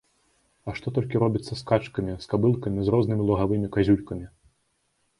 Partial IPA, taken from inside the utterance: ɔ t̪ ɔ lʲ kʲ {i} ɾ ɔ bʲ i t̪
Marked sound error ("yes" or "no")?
no